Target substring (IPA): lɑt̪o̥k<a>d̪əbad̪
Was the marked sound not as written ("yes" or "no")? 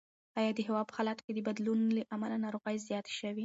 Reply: yes